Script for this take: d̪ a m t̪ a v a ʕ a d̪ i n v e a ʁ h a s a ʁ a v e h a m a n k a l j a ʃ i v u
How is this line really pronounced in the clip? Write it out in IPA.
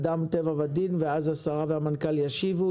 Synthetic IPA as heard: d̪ a m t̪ e v a v a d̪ i n v e a z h a s a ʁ a v e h a m a n k a l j a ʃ i v u